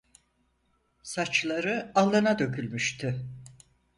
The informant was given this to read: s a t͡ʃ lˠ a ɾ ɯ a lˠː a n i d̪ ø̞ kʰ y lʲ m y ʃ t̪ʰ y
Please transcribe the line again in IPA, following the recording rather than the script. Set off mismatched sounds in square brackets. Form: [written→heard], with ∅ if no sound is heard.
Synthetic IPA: s a t͡ʃ lˠ a ɾ ɯ a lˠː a n [i→a] d̪ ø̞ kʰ y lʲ m y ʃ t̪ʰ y